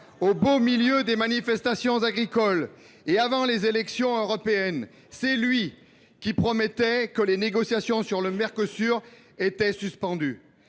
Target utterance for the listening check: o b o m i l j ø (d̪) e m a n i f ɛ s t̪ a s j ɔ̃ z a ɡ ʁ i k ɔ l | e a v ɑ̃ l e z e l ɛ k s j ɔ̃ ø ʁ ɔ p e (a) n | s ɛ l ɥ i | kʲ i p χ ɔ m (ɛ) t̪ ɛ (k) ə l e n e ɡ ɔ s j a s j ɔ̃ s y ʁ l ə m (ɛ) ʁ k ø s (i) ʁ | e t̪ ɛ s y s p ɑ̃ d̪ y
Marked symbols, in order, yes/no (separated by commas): yes, no, yes, yes, yes, no